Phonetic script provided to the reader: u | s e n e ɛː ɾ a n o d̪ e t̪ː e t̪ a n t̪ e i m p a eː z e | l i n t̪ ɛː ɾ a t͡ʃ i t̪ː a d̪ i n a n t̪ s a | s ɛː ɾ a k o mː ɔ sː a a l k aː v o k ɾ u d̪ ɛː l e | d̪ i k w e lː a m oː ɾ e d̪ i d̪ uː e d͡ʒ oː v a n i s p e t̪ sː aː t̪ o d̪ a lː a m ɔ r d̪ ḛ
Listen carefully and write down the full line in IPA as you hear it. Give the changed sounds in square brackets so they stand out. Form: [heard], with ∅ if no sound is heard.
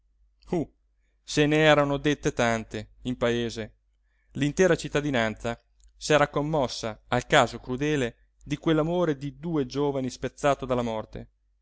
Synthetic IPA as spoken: u | s e n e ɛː ɾ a n o d̪ e t̪ː e t̪ a n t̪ e i m p a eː z e | l i n t̪ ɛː ɾ a t͡ʃ i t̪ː a d̪ i n a n t̪ s a | s ɛː ɾ a k o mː ɔ sː a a l k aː [z] o k ɾ u d̪ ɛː l e | d̪ i k w e lː a m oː ɾ e d̪ i d̪ uː e d͡ʒ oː v a n i s p e t̪ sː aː t̪ o d̪ a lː a m ɔ r [t̪] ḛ